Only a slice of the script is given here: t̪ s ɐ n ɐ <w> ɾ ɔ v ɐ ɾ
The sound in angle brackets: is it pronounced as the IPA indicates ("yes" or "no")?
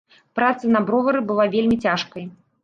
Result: no